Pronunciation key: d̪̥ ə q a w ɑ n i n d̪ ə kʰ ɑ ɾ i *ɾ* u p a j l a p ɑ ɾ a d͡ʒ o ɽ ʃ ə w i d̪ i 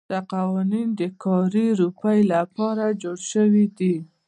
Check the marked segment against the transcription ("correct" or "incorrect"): correct